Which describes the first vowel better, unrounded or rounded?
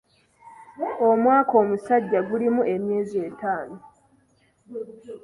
rounded